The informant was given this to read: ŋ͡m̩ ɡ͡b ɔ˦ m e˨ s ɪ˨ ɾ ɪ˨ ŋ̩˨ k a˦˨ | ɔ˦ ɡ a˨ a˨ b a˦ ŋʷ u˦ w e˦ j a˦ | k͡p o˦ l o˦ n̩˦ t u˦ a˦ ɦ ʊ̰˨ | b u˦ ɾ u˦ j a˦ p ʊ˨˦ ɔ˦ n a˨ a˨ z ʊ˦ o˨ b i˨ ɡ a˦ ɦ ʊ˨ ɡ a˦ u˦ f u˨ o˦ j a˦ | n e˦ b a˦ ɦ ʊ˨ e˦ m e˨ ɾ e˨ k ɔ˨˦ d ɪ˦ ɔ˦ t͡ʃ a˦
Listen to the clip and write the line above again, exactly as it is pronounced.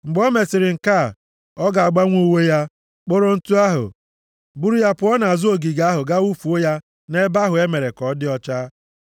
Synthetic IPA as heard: ŋ͡m̩ ɡ͡b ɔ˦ m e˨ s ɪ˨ ɾ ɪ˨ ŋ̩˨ k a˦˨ | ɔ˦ ɡ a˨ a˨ ɡ͡b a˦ ŋʷ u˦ w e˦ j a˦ | k͡p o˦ ɾ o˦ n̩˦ t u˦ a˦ ɦ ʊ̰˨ | b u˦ ɾ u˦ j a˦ p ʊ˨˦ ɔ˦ n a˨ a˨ z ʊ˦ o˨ ɡ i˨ ɡ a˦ ɦ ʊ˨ ɡ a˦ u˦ f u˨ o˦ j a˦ | n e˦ b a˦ ɦ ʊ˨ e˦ m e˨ ɾ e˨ k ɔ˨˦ d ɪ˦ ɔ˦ t͡ʃ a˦